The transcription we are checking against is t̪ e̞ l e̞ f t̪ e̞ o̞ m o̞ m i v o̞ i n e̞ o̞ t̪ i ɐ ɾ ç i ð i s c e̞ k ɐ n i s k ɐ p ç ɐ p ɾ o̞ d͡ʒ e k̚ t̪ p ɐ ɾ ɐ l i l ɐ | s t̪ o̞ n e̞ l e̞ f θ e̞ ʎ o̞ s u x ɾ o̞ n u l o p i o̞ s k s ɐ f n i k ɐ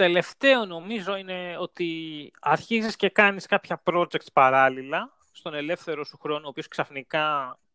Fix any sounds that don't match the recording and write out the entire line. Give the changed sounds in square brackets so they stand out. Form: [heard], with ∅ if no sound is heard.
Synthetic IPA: t̪ e̞ l e̞ f t̪ e̞ o̞ [n] o̞ m i [z] o̞ i n e̞ o̞ t̪ i ɐ ɾ ç i [z] i s c e̞ k ɐ n i s k ɐ p ç ɐ p ɾ o̞ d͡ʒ e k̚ t̪ p ɐ ɾ ɐ l i l ɐ | s t̪ o̞ n e̞ l e̞ f θ e̞ [ɾ] o̞ s u x ɾ o̞ n u [∅] o p i o̞ s k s ɐ f n i k ɐ